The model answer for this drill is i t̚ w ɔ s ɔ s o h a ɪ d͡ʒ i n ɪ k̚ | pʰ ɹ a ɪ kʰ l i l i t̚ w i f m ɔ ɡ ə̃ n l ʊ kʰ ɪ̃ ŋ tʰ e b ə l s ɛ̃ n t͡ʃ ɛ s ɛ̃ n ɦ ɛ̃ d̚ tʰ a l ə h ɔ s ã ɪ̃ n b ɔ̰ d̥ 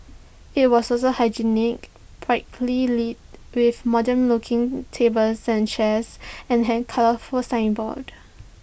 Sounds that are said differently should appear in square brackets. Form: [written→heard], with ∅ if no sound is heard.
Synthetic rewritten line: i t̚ w ɔ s ɔ s o h a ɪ d͡ʒ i n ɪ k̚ | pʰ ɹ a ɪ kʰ l i l i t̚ w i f m ɔ [ɡ→d] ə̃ n l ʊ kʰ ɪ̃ ŋ tʰ e b ə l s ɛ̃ n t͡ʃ ɛ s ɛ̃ n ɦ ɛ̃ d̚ [tʰ→kʰ] a l ə [h→f] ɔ s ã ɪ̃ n b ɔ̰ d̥